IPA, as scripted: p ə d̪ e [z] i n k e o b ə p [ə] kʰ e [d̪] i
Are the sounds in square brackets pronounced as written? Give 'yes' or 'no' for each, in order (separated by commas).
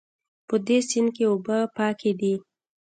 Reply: no, no, yes